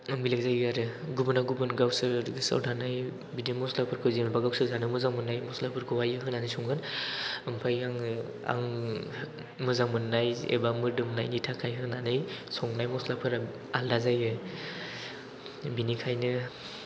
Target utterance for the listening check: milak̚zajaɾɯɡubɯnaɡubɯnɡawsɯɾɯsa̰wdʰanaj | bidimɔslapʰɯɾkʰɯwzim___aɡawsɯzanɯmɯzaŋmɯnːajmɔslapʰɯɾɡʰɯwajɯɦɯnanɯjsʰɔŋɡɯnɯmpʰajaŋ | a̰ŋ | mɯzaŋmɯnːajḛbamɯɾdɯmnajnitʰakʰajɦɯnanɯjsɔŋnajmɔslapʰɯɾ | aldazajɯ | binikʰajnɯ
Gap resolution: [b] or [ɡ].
b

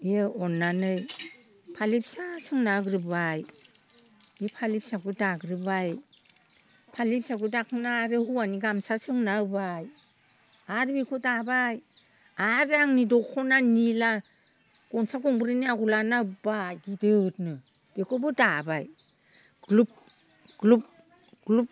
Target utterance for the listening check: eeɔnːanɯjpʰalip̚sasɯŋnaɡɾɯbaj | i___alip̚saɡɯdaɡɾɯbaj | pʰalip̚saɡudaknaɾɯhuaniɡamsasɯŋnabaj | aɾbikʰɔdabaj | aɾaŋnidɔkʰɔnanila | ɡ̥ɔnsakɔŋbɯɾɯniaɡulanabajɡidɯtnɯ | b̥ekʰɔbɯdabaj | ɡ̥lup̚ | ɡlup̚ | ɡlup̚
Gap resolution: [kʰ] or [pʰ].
pʰ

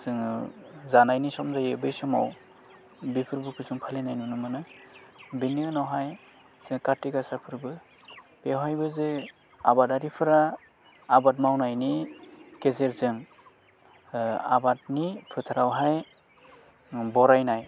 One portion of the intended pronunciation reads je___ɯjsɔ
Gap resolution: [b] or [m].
b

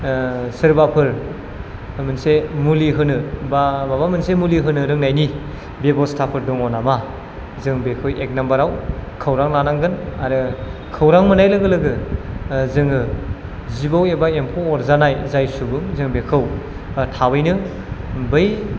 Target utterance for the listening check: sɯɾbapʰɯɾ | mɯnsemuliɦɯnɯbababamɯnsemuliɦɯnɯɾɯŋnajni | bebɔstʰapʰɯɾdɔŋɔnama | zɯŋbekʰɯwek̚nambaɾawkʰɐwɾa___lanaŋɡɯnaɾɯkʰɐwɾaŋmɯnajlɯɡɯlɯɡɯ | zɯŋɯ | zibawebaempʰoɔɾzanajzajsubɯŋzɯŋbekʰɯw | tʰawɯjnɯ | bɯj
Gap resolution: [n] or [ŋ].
ŋ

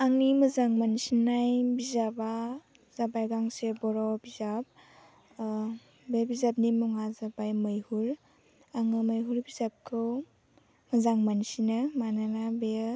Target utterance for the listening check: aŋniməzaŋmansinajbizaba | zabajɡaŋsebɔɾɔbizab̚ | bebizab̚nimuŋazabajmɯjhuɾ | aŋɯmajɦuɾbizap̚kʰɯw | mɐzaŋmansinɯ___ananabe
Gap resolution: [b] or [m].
m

